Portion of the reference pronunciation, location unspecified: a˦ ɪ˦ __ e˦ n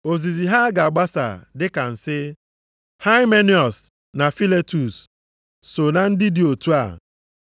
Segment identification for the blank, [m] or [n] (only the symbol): m